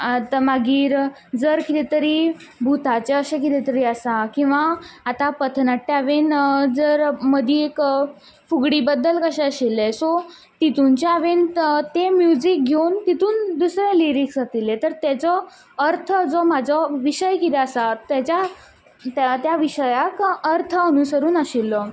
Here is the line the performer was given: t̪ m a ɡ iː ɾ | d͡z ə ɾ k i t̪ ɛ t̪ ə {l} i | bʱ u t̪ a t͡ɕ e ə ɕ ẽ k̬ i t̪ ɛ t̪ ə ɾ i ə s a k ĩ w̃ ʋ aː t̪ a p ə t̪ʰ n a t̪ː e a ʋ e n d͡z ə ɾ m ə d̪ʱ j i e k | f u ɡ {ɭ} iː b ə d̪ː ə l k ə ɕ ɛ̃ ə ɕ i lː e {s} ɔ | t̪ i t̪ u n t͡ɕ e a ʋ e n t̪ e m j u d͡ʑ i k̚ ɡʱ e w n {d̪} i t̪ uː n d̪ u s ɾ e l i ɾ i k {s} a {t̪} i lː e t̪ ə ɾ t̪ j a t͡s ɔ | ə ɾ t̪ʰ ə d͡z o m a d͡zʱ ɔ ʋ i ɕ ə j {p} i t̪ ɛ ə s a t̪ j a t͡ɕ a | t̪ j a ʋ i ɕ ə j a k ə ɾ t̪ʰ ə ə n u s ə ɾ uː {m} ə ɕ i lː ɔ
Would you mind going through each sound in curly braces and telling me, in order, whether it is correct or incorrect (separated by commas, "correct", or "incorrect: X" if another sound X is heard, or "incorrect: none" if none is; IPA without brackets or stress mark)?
incorrect: ɾ, incorrect: ɽ, correct, incorrect: t̪, correct, correct, incorrect: k, incorrect: n